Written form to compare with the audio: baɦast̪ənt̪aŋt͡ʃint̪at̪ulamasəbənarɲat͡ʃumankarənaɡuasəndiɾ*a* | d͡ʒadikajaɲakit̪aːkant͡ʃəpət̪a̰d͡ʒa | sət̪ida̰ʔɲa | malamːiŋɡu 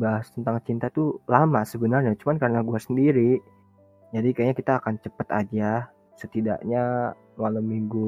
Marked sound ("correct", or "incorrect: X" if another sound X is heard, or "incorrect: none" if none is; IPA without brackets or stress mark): incorrect: i